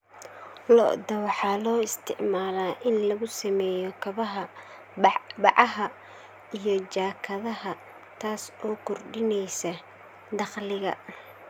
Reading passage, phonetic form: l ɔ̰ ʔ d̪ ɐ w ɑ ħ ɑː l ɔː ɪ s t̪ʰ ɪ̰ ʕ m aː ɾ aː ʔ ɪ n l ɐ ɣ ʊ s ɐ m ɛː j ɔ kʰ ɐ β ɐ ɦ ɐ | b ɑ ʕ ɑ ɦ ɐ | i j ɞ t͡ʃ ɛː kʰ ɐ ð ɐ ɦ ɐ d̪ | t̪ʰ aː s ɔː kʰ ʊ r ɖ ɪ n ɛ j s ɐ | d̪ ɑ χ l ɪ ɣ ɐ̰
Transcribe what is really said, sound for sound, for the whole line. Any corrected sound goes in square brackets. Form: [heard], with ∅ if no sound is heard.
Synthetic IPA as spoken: l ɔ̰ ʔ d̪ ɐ w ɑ ħ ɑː l ɔː ɪ s t̪ʰ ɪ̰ ʕ m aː [l] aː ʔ ɪ n l ɐ ɣ ʊ s ɐ m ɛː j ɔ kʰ ɐ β ɐ ɦ ɐ | b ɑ ʕ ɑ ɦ ɐ | i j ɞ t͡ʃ [aː] kʰ ɐ ð ɐ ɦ ɐ [∅] | t̪ʰ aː s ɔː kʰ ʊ r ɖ ɪ n ɛ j s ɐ | d̪ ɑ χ l ɪ ɣ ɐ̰